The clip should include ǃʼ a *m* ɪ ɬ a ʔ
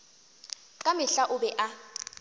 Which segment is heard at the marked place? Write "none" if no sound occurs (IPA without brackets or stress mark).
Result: m